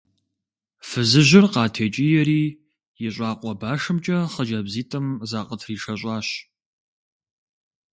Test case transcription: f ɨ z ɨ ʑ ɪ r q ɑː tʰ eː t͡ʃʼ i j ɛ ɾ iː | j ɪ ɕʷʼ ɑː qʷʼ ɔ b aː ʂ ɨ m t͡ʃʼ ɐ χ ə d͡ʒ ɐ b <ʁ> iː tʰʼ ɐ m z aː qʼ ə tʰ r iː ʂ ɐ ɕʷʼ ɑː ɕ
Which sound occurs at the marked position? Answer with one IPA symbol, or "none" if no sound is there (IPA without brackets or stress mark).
z